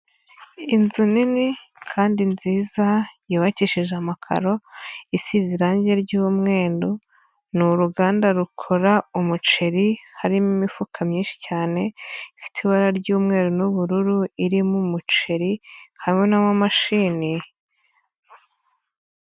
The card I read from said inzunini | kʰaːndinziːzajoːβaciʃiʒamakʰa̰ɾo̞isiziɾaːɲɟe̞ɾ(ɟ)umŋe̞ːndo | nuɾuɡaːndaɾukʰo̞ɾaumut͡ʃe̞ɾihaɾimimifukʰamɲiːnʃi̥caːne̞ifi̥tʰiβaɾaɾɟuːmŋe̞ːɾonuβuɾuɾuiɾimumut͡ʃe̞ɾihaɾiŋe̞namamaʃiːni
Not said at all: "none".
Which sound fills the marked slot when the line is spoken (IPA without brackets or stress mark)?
ɟ